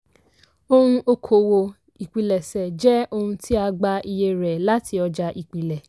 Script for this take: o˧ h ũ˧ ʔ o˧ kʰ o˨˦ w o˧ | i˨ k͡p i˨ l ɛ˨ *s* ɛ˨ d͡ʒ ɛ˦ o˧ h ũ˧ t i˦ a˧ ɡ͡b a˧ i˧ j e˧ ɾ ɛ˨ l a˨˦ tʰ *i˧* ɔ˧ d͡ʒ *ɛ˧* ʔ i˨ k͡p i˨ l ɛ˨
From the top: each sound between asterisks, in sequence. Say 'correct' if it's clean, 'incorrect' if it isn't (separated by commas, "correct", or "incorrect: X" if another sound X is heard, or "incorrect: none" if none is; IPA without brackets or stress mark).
correct, correct, incorrect: a˧